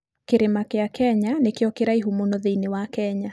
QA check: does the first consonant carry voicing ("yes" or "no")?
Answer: no